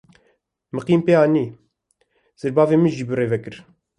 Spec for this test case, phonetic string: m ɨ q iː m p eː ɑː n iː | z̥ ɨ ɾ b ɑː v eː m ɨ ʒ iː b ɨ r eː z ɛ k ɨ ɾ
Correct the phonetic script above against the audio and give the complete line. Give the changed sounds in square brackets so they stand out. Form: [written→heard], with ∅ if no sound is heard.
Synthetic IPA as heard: m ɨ q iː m p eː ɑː n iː | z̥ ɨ ɾ b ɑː v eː m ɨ ʒ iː b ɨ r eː [z→v] ɛ k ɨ ɾ